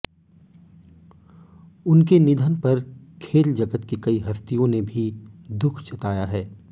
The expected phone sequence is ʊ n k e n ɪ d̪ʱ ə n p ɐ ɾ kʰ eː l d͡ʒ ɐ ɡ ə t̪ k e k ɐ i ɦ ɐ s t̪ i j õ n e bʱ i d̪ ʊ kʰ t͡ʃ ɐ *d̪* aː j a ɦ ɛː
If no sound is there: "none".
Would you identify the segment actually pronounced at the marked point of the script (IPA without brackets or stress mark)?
t̪